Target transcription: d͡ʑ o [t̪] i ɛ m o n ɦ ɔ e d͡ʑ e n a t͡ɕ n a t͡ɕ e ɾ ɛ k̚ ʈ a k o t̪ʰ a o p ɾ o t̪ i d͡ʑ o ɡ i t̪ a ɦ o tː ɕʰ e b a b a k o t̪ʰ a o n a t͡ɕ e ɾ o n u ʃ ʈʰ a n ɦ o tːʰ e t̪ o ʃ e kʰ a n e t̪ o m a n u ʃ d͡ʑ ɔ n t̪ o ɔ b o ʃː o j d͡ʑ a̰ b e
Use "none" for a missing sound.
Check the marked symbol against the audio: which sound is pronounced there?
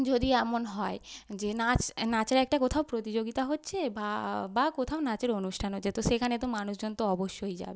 d̪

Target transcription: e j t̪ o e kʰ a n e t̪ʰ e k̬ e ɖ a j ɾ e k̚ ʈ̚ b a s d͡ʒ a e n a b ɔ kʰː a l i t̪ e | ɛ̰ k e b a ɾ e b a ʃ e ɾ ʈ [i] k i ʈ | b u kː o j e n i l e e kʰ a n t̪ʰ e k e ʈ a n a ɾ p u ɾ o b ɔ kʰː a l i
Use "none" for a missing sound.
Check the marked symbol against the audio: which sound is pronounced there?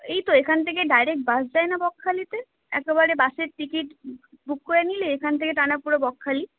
i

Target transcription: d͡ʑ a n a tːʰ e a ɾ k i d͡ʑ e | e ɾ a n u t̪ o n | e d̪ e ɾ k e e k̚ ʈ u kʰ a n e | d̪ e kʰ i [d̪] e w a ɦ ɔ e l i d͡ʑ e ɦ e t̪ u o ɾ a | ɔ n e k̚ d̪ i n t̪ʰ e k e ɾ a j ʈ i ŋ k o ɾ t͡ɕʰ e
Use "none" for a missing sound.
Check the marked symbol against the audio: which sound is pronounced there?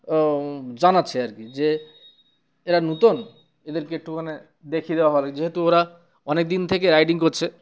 d̪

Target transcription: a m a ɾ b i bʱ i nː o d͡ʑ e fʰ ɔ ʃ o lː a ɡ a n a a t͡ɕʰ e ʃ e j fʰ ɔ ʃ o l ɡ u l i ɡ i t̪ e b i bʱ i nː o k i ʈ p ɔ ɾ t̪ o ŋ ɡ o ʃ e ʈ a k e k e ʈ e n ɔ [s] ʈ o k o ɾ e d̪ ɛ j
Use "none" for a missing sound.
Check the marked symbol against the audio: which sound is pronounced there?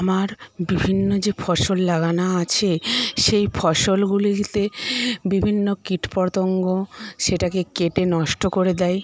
ʃ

